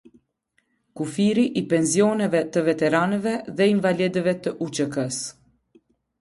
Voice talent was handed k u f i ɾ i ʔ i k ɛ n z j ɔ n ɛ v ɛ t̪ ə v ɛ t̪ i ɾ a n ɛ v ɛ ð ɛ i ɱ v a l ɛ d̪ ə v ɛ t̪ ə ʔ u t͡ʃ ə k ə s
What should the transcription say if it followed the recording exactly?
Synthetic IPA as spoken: k u f i ɾ i ʔ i p ɛ n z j ɔ n ɛ v ɛ t̪ ə v ɛ t̪ ɛ ɾ a n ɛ v ɛ ð ɛ i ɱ v a l ɛ d̪ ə v ɛ t̪ ə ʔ u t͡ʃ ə k ə s